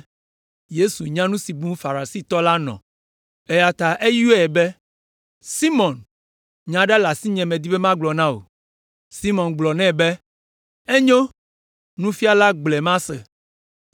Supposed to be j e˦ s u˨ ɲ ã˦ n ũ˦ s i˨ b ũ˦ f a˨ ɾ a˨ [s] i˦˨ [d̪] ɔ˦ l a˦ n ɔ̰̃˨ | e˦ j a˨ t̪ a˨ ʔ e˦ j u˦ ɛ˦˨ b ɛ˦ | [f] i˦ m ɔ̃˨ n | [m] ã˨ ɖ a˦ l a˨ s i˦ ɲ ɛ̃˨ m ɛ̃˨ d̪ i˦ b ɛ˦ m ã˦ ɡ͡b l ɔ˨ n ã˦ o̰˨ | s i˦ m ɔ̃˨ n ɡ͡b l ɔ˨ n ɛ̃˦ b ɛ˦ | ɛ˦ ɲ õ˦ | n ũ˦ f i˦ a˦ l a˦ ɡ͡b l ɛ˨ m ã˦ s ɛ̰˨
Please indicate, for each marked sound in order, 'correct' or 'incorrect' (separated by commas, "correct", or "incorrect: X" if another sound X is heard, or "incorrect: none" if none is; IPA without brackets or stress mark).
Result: correct, incorrect: t̪, incorrect: s, incorrect: ɲ